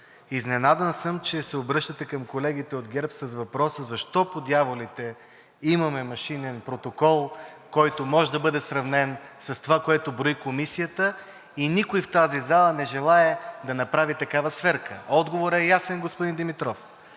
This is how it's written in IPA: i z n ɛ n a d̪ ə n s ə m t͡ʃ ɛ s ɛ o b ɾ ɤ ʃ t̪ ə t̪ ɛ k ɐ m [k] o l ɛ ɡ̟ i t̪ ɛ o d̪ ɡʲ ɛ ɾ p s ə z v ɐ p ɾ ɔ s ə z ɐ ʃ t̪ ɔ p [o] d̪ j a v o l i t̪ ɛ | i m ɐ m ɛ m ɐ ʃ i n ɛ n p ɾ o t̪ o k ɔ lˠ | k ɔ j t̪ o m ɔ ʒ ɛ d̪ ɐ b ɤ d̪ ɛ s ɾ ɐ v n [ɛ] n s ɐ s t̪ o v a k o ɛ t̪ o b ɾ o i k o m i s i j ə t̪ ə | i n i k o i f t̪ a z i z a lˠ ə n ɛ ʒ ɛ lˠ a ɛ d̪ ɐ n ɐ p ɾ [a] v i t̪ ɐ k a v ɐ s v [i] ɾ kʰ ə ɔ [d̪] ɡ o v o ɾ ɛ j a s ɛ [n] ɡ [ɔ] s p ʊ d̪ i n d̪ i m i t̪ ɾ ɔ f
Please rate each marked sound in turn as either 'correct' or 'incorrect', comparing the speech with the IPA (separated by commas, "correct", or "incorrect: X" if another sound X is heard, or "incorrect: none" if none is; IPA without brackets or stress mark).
correct, correct, correct, correct, incorrect: ɛ, correct, correct, incorrect: o